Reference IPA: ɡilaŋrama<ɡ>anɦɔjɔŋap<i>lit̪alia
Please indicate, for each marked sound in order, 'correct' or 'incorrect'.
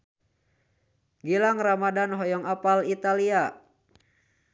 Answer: incorrect: d, incorrect: a

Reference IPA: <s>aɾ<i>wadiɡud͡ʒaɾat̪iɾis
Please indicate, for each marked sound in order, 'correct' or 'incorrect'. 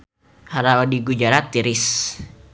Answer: incorrect: h, incorrect: a

